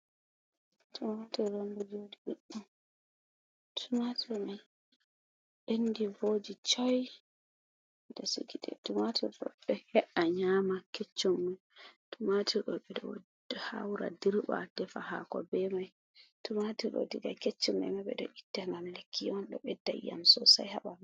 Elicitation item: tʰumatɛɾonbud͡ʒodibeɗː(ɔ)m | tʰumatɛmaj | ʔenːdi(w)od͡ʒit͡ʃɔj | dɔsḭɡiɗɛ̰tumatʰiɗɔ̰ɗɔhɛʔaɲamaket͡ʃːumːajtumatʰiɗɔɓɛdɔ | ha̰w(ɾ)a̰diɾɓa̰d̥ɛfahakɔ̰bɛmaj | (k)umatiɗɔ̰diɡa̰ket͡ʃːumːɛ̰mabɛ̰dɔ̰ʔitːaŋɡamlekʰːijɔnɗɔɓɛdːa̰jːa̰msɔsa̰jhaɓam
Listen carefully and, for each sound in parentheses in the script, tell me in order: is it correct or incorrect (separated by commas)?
incorrect, incorrect, correct, incorrect